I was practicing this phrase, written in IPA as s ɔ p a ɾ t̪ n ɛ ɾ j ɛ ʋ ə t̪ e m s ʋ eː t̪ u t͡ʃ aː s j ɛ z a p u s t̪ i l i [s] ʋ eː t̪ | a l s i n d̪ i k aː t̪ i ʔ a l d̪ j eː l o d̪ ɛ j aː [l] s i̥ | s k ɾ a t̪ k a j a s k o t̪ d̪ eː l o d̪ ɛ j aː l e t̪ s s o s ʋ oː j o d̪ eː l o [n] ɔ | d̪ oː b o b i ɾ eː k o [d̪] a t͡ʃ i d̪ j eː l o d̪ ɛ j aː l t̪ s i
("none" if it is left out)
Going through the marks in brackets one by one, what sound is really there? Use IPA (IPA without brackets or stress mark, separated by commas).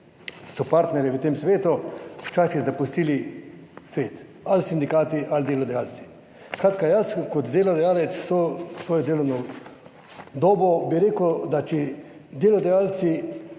s, l, n, d̪